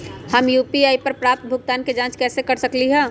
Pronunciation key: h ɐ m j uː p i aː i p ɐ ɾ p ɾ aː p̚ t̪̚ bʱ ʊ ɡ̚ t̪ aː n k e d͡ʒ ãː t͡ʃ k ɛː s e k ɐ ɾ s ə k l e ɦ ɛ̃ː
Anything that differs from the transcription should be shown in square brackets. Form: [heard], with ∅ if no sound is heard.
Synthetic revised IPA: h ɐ m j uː p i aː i p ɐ ɾ p ɾ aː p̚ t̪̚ bʱ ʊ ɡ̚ t̪ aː n k e d͡ʒ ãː t͡ʃ k ɛː s e k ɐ ɾ s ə k l [i] ɦ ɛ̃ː